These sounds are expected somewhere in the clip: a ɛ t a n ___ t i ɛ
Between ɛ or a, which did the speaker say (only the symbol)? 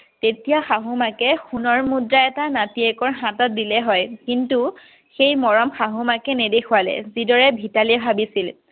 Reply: a